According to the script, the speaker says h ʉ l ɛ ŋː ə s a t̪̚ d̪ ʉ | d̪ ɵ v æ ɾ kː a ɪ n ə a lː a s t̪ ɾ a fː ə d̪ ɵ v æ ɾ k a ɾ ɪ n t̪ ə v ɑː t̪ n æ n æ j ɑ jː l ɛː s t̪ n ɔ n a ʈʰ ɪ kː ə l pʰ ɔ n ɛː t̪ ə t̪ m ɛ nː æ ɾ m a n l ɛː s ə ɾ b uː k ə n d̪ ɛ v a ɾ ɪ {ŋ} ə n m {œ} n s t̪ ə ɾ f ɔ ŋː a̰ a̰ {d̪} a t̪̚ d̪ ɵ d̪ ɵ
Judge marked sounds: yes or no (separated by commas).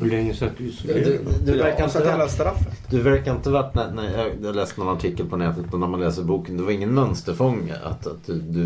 no, yes, no